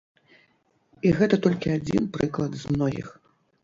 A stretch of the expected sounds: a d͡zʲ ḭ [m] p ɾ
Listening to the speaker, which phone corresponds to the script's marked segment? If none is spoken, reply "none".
n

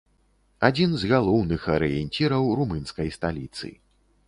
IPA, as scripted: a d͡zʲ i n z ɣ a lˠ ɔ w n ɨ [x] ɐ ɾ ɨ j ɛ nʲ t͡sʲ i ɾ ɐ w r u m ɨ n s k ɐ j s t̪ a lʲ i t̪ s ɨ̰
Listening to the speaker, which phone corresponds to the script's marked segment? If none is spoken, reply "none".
x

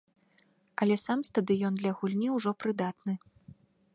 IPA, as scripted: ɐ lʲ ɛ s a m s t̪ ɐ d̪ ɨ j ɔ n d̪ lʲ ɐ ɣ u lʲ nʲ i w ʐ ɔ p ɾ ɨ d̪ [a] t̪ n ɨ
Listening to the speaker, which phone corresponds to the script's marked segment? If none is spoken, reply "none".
a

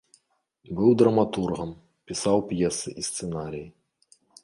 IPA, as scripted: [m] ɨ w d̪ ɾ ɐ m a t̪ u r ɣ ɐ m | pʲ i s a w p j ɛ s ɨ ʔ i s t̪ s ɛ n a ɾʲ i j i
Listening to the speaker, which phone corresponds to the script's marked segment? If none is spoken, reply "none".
b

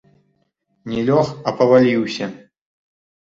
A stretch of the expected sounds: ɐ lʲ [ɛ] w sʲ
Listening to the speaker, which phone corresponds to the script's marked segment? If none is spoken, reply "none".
i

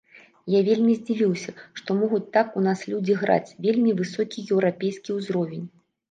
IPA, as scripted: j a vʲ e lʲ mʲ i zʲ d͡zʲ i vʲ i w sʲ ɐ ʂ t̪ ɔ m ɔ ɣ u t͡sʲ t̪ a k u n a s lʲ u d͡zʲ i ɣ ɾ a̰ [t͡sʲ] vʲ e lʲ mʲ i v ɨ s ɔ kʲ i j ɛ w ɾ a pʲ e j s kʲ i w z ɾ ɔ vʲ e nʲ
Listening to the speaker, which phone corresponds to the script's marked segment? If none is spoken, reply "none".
t͡sʲ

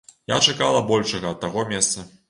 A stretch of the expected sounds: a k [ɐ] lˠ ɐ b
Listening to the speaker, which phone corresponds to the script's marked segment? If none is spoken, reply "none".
a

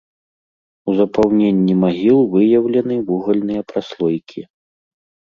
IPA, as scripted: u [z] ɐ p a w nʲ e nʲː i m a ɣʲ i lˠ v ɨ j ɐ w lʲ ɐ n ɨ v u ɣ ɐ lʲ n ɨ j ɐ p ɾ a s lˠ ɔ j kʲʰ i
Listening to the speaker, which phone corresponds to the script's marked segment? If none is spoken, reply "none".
z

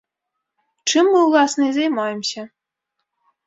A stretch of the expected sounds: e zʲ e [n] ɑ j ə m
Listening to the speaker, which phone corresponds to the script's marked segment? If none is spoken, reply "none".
m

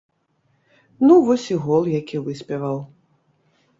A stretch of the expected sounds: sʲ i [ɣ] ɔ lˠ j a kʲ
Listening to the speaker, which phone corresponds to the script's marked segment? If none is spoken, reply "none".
ɣ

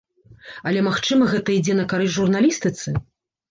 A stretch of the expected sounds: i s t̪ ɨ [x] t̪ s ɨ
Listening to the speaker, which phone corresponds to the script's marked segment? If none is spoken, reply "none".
none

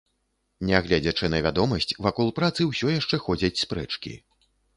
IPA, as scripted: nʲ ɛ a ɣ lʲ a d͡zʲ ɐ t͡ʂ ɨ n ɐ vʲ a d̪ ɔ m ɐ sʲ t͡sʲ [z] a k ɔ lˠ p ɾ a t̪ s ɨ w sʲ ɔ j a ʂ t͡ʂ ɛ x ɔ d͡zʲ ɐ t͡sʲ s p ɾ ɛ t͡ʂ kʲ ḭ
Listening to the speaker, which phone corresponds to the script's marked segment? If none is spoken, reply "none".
v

